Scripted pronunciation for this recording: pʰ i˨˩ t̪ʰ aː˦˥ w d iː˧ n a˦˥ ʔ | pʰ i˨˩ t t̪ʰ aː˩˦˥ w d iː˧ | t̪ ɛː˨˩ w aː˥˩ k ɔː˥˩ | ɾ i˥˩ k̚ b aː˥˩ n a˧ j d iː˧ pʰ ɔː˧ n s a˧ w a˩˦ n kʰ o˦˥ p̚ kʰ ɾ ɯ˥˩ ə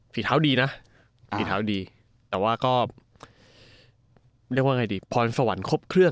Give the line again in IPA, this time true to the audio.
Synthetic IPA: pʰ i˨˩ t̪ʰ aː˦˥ w d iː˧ n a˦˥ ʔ | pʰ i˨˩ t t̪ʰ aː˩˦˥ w d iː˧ | t̪ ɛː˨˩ w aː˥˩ k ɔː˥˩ | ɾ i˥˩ k̚ w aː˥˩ ŋ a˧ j d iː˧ pʰ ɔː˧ n s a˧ w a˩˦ n kʰ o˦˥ p̚ kʰ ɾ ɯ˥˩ ə

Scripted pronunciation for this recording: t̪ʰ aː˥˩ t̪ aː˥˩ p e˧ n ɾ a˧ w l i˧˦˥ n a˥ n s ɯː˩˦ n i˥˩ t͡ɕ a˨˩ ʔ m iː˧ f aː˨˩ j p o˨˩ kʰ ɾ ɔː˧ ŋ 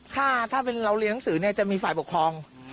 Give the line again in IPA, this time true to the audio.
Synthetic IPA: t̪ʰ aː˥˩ t̪ʰ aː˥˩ p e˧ n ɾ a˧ w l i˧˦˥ n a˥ ŋ s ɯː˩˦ n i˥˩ t͡ɕ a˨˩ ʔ m iː˧ f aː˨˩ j p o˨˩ kʰ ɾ ɔː˧ ŋ

